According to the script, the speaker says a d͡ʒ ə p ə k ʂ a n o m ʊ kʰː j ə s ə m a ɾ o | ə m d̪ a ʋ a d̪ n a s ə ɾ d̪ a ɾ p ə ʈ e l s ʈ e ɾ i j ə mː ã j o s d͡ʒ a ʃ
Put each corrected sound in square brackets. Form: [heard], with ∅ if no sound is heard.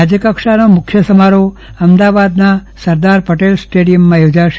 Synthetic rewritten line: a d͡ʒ ə [k] ə k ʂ a n o m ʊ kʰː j ə s ə m a ɾ o | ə m d̪ a ʋ a d̪ n a s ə ɾ d̪ a ɾ p ə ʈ e l s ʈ e [ɽ] i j ə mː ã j o [∅] d͡ʒ a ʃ